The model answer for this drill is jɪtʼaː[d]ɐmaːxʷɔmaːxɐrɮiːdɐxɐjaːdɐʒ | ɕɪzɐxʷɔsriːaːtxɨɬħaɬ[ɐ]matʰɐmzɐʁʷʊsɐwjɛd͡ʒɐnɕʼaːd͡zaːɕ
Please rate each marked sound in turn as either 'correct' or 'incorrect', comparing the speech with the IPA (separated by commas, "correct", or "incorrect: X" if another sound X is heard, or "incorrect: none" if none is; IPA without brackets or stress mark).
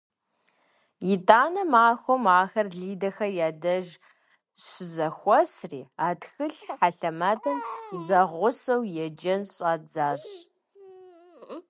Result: incorrect: n, correct